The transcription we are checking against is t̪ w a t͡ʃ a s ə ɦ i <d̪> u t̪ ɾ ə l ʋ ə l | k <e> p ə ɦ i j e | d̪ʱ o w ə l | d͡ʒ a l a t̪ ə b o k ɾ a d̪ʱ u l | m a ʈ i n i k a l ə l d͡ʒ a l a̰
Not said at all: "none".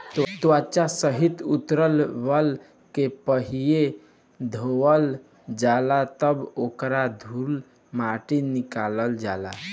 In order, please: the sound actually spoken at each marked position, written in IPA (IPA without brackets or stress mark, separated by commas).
t̪, e